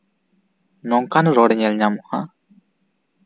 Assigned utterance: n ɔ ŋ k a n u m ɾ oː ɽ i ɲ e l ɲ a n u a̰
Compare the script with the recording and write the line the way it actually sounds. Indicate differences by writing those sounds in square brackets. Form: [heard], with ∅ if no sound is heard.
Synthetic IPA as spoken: n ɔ ŋ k a n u [∅] ɾ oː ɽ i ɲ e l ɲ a [m] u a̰